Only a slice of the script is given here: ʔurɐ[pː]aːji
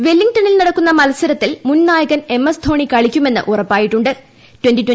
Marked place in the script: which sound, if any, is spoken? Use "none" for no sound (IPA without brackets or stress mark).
pː